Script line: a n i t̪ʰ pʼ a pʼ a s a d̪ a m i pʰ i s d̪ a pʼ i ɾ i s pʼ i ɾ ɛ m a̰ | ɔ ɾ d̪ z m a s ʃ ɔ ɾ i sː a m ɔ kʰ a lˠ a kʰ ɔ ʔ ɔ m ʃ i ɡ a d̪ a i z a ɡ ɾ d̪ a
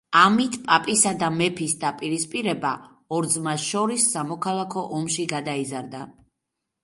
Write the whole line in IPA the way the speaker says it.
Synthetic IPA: a m i t̪ʰ pʼ a pʼ i s a d̪ a m ɛ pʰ i s d̪ a pʼ i ɾ i s pʼ i ɾ ɛ b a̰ | ɔ ɾ d̪ z m a s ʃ ɔ ɾ i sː a m ɔ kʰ a lˠ a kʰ ɔ ʔ ɔ m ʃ i ɡ a d̪ a i z a ɾ d̪ a